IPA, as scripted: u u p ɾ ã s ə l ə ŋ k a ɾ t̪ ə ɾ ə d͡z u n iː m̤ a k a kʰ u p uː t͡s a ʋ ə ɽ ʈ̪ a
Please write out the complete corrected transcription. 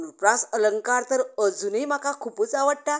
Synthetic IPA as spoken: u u p ɾ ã s ə l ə ŋ k a ɾ t̪ ə ɾ ə d͡z u n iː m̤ a k a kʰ u p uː t͡s a ʋ ə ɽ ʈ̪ a